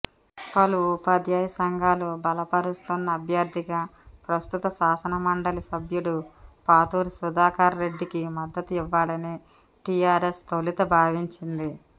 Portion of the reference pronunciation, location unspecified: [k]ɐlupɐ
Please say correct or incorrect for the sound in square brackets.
incorrect